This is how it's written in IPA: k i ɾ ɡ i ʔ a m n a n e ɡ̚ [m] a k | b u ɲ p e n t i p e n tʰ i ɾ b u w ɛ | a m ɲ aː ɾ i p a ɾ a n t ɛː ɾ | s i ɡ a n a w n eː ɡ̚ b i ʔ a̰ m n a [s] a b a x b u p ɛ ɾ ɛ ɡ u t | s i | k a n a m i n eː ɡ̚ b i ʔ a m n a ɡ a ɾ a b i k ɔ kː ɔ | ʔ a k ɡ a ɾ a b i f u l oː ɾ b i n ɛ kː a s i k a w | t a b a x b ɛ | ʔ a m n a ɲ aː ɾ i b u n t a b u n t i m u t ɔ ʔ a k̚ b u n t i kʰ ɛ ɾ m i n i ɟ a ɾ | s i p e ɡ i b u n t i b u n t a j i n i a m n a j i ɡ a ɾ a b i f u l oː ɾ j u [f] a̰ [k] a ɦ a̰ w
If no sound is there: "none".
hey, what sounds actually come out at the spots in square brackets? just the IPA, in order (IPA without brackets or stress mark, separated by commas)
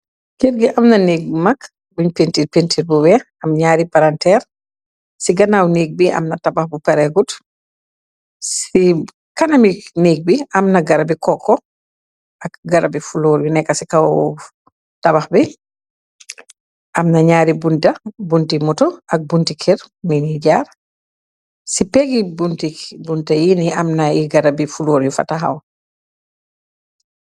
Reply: m, t, f, t